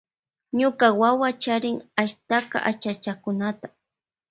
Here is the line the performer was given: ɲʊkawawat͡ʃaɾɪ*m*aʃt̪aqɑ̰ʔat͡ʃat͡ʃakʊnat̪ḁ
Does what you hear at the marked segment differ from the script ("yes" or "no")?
yes